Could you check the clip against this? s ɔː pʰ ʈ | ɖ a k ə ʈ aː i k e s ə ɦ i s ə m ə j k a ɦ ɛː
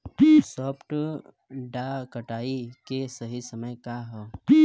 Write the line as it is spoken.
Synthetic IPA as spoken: s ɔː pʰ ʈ | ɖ a k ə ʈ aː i k e s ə ɦ i s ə m ə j k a ɦ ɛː